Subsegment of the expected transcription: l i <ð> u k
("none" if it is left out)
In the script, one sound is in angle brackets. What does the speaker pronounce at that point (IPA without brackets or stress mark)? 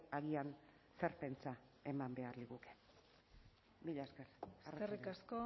ɣ